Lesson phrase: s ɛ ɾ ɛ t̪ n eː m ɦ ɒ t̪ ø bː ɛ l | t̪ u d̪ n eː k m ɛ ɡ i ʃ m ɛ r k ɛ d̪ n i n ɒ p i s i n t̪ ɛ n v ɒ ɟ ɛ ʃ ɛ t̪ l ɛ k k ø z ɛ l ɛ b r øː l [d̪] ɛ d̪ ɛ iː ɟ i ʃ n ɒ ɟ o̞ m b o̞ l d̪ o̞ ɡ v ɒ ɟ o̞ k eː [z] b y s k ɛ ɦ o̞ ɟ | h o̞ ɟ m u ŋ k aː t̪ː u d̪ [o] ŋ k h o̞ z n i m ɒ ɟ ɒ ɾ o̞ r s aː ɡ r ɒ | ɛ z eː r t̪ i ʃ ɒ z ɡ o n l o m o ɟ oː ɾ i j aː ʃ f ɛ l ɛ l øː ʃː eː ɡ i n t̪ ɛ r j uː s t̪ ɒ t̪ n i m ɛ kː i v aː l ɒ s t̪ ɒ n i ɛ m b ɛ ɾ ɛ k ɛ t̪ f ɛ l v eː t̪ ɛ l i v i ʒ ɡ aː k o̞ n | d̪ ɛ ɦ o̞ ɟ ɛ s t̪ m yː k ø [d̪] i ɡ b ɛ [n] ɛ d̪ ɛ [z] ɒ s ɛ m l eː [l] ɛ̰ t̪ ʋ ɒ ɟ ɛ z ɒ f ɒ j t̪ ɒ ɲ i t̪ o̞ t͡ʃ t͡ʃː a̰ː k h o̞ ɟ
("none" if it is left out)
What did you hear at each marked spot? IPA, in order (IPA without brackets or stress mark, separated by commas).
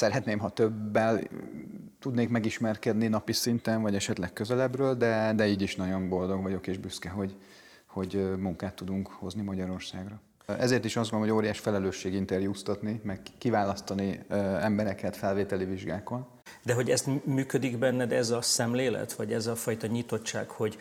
d̪, ʒ, u, d̪, nː, z, l